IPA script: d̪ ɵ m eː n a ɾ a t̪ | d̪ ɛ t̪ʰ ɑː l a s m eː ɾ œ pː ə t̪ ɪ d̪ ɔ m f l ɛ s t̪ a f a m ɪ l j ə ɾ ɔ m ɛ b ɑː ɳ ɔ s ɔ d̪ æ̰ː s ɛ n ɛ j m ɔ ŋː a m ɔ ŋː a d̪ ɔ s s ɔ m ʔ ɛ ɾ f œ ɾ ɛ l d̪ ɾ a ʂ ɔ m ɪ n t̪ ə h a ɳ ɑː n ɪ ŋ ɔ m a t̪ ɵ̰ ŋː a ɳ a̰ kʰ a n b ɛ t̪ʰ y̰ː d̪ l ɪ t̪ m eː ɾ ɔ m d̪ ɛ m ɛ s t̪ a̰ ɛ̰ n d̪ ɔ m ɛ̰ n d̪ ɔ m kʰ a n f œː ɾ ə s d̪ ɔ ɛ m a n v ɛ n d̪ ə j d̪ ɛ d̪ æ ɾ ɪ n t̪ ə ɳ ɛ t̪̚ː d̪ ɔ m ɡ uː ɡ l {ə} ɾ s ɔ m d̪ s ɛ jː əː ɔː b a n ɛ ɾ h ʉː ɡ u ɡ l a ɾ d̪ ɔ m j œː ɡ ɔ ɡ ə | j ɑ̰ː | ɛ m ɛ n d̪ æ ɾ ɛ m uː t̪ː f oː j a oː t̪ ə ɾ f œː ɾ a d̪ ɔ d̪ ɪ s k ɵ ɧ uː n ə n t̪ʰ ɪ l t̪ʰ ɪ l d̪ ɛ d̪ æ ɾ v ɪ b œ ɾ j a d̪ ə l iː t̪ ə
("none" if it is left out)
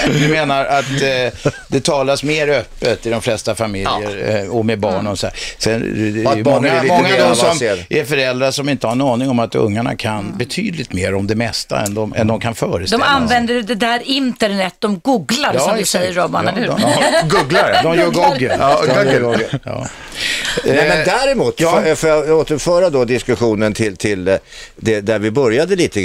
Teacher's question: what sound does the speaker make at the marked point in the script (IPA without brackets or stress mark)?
a